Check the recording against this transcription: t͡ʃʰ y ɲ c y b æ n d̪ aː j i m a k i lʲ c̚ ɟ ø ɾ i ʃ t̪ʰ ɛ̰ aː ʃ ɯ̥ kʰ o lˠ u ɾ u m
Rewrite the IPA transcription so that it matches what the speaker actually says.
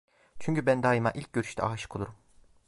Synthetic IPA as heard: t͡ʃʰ y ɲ c y b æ n d̪ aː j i m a ʔ i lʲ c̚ ɟ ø ɾ y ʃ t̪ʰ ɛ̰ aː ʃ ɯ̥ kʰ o lˠ u ɾ u m